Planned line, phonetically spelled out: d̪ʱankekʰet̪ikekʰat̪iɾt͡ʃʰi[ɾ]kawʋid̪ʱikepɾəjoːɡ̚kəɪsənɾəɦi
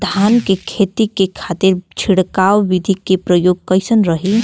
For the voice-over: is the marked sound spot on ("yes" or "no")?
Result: no